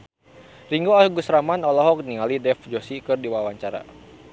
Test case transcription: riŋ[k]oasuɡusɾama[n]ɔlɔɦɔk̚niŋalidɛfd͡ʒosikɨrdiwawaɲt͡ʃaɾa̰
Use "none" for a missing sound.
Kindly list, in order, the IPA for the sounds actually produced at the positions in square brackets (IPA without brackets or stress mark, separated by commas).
ɡ, n